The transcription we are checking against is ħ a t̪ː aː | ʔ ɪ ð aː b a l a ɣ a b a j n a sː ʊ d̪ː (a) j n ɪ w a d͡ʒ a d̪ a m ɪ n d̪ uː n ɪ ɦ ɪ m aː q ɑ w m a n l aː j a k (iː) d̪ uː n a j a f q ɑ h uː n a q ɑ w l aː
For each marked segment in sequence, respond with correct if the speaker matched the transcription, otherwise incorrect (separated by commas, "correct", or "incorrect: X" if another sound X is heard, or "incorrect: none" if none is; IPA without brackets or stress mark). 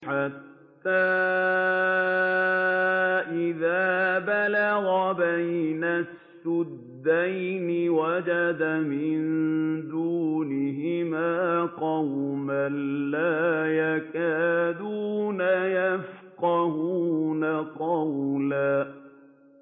correct, incorrect: aː